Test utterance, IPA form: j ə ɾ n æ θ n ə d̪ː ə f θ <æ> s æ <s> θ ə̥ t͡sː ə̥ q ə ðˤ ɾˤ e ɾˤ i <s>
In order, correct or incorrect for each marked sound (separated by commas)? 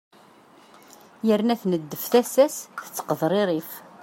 correct, correct, incorrect